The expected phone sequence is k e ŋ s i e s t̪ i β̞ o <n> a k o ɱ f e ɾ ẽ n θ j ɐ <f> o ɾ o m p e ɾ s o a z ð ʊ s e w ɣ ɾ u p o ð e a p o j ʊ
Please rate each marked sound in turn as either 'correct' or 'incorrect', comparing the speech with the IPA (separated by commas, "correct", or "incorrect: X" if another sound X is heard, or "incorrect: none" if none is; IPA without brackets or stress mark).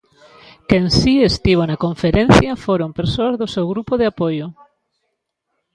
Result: correct, correct